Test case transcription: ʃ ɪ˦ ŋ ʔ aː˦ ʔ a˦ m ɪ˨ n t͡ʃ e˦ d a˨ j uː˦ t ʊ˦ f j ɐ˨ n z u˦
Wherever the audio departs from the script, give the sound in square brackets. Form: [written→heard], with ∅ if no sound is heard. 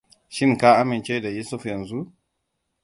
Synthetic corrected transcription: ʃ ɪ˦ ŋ [ʔ→k] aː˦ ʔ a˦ m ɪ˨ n t͡ʃ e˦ d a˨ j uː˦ [t→s] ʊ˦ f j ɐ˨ n z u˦